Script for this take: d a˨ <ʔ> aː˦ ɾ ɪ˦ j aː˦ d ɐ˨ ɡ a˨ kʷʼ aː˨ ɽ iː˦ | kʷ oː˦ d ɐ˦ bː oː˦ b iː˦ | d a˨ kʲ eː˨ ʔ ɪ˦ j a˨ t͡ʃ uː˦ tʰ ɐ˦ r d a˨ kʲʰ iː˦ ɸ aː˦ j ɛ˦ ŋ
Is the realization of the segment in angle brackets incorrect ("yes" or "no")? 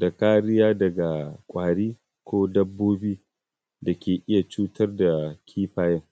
yes